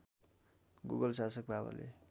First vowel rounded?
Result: yes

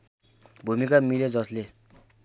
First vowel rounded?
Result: yes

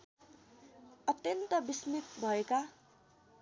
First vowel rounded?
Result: no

